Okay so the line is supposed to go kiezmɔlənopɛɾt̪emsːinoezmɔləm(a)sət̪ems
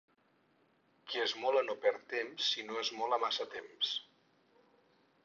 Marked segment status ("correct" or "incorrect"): correct